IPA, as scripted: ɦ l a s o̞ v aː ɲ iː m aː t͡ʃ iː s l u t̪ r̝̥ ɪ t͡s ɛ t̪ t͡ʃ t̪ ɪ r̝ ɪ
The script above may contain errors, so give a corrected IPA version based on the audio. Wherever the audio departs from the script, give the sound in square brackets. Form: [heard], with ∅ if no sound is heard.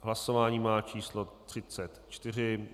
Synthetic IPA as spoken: ɦ l a s o̞ v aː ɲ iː m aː t͡ʃ iː s l [o] t̪ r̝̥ ɪ t͡s ɛ t̪ t͡ʃ t̪ ɪ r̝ ɪ